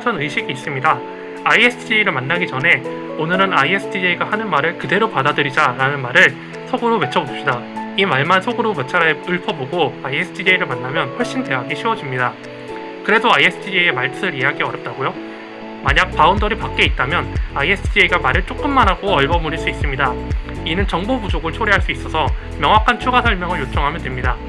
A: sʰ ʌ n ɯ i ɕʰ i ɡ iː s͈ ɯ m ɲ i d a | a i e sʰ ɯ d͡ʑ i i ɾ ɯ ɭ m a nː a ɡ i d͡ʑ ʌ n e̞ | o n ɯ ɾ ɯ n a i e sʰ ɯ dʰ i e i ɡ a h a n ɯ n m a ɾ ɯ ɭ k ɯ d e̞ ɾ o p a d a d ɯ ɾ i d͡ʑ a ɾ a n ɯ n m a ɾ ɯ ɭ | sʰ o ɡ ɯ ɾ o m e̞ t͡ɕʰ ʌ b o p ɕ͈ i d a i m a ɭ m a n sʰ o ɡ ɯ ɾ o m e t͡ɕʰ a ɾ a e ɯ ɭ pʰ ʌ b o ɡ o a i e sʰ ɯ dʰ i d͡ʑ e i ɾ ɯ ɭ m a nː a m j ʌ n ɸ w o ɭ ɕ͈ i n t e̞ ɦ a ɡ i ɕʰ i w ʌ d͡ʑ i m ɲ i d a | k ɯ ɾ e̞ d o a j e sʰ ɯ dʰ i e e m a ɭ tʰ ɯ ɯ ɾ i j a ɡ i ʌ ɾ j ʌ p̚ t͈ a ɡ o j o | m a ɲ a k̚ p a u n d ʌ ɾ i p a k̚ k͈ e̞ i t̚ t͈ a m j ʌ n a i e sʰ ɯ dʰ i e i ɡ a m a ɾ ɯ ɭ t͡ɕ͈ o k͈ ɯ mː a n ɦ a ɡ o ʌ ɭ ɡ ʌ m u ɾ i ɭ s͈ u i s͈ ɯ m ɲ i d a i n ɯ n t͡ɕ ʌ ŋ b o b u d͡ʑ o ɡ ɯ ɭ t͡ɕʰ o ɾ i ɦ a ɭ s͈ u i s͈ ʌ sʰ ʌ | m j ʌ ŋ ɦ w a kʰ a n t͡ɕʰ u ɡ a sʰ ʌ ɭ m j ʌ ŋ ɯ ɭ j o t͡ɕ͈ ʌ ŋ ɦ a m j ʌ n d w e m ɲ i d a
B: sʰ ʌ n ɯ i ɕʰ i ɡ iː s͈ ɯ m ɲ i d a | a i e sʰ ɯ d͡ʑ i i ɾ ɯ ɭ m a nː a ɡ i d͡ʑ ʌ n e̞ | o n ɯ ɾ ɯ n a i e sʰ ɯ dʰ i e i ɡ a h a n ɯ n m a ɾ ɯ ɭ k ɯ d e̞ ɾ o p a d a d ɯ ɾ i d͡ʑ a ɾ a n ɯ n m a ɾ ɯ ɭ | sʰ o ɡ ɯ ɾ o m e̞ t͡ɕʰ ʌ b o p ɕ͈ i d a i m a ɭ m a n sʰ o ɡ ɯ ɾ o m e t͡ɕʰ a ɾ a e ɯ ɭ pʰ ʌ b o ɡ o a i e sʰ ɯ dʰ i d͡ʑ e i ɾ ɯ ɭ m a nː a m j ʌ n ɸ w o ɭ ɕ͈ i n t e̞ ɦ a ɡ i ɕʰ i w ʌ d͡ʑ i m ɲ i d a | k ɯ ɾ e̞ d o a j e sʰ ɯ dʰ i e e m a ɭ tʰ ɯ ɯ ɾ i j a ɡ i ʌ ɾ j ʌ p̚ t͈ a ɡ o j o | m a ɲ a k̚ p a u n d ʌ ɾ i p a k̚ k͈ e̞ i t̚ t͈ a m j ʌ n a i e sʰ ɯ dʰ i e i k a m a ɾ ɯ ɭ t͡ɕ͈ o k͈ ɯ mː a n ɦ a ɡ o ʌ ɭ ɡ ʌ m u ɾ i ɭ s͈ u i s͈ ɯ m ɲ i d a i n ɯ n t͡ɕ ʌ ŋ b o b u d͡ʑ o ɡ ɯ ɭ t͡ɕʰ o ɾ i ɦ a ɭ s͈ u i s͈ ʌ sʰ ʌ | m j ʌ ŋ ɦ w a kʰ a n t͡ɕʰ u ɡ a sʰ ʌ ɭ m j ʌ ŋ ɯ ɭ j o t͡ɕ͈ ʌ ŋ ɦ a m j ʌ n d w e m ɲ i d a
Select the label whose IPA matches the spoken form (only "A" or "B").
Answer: A